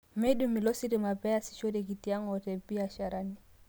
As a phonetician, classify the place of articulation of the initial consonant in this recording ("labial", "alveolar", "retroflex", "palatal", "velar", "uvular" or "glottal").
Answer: labial